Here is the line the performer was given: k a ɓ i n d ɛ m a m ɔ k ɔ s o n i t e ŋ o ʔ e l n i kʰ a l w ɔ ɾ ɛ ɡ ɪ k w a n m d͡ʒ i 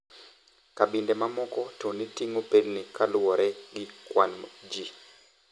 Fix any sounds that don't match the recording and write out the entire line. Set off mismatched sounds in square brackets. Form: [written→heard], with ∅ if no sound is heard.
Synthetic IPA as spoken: k a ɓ i n d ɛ m a m ɔ k ɔ [s→t] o n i t [e→i] ŋ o [ʔ→p] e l n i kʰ a l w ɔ ɾ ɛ ɡ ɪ k w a n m d͡ʒ i